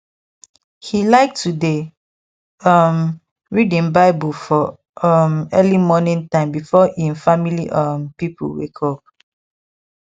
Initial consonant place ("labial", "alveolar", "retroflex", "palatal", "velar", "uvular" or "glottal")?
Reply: glottal